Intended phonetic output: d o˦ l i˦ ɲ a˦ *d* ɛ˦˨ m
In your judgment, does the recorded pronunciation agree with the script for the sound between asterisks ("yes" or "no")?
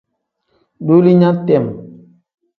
no